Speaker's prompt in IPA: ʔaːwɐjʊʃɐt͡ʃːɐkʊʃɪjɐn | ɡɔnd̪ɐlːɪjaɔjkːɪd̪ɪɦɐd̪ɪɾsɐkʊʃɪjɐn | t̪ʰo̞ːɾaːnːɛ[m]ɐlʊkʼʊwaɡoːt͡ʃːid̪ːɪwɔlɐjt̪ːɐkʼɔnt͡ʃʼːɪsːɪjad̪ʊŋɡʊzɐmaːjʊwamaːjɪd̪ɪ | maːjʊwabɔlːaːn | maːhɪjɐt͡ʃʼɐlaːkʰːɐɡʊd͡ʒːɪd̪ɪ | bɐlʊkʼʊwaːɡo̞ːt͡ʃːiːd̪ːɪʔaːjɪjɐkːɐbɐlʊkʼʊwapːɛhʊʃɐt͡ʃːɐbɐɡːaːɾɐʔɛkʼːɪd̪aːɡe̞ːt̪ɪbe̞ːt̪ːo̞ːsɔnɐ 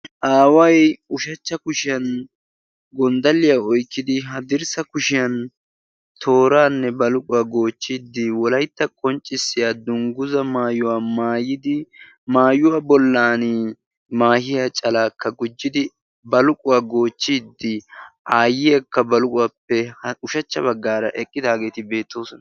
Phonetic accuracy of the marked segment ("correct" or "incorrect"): incorrect